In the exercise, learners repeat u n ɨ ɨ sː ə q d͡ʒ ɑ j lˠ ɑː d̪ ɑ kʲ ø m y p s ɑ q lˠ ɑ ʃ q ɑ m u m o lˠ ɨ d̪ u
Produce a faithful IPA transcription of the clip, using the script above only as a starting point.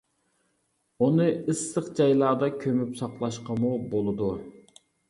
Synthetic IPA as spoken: u n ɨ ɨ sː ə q d͡ʒ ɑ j lˠ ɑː d̪ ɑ kʲʰ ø m y p s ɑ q lˠ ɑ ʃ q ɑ m u b o lˠ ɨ d̪ u